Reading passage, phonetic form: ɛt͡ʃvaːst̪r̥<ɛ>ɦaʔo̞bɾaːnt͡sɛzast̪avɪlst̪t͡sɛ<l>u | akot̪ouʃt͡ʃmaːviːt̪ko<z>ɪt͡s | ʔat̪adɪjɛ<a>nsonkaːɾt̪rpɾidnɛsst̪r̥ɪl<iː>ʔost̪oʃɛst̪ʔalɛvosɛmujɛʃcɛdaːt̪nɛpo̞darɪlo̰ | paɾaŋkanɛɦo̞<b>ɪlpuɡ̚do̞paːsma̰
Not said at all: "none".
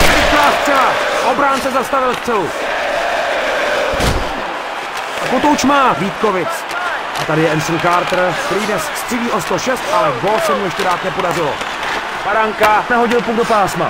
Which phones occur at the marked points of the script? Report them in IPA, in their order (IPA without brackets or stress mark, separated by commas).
ɛ, l, v, ɛ, iː, ɟ